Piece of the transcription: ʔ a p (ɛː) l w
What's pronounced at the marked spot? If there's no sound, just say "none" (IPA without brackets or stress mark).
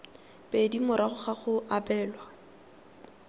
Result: ɛː